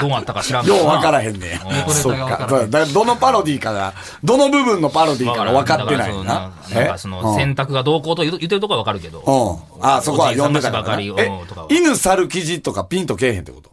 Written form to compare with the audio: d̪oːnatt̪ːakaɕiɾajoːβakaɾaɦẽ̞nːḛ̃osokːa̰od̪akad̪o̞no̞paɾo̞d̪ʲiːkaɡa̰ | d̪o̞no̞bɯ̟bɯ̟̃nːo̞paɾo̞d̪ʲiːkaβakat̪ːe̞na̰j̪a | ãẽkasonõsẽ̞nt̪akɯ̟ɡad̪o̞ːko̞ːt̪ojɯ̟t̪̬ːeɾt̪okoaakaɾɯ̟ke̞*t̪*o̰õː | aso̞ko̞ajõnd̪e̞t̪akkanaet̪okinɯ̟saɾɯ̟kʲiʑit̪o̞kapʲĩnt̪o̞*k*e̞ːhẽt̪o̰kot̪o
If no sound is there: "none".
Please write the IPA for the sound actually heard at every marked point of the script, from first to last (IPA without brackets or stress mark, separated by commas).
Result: d̪, k